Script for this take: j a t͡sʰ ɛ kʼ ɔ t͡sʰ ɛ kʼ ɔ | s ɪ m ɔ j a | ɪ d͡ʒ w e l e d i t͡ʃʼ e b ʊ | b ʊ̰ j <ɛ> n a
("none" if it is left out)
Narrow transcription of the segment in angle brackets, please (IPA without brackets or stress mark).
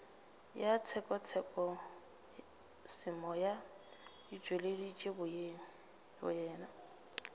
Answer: ɛː